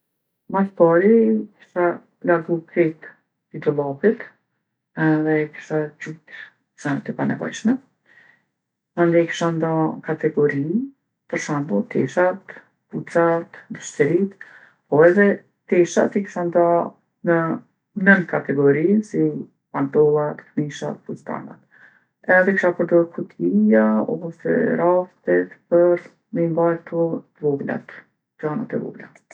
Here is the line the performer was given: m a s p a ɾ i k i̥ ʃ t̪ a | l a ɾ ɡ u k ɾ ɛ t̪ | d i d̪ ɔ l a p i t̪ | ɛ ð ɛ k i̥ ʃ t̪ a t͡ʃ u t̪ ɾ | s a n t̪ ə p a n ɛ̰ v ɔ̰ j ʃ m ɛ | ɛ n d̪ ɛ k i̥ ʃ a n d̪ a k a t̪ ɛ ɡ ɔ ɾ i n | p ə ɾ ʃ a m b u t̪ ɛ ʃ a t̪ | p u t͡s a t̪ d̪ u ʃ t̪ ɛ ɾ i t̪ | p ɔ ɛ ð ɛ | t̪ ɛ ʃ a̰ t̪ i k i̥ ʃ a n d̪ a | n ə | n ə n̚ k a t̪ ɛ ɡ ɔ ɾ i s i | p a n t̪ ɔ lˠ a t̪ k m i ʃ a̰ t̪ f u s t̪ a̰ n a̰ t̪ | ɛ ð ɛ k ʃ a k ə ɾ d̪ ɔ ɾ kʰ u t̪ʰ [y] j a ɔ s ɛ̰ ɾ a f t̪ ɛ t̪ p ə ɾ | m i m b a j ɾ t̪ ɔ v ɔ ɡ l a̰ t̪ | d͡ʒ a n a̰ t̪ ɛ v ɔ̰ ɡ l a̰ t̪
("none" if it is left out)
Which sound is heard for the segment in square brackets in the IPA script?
i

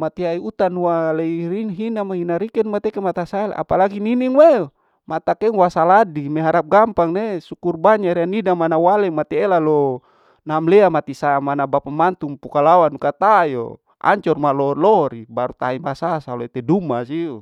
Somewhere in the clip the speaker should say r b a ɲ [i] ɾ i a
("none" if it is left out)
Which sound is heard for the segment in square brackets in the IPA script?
a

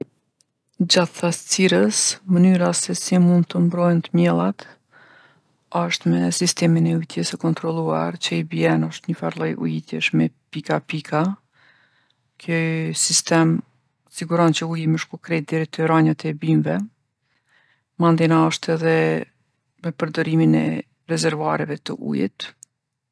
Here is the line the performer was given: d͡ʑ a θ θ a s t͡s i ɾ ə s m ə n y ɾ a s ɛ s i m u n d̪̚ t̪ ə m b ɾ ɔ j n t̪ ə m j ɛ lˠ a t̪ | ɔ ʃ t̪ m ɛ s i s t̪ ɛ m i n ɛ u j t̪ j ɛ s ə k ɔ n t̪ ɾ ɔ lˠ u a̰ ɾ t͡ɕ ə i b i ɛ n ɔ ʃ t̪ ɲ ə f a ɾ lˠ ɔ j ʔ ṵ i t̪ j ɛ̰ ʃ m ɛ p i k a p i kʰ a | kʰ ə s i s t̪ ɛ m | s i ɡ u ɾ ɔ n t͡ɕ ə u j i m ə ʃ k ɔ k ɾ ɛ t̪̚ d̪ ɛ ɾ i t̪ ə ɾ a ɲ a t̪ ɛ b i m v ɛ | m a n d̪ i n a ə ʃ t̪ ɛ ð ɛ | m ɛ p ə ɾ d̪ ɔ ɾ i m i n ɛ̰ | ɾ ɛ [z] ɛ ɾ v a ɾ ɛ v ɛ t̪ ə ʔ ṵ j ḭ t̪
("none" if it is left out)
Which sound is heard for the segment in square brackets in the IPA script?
z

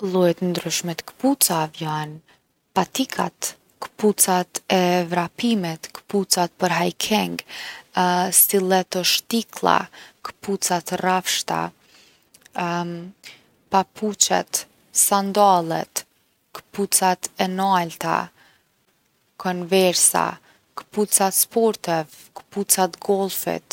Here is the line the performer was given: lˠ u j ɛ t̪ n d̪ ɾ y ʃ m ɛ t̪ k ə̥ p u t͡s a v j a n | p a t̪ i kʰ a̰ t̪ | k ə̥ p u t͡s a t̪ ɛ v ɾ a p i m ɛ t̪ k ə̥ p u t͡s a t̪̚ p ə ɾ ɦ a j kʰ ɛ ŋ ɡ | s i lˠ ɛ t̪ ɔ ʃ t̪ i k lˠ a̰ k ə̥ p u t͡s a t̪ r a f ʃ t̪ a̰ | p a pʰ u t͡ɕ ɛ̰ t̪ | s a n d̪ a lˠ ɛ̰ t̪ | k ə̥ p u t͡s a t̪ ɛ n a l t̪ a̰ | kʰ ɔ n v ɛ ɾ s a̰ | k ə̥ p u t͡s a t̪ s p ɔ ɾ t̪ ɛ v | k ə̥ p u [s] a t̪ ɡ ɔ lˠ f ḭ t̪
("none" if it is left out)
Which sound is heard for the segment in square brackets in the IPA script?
t͡s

